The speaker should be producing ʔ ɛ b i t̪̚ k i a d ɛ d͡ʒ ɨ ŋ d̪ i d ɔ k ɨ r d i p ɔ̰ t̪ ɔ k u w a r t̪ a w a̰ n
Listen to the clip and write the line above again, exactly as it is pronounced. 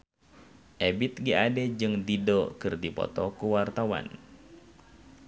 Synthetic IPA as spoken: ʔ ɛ b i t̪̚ ɡ i a d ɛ d͡ʒ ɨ ŋ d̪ i d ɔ k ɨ r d i p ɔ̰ t̪ ɔ k u w a r t̪ a w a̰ n